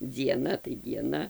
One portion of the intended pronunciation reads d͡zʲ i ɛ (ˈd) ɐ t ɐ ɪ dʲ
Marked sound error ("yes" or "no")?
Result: yes